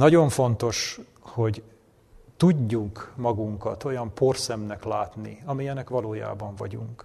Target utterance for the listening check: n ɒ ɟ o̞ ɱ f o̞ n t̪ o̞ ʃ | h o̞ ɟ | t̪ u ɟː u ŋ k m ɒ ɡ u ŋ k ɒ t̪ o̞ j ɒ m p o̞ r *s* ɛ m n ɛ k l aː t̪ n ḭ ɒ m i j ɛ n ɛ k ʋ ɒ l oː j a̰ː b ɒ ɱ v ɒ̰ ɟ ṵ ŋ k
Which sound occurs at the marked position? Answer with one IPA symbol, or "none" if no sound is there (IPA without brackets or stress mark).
s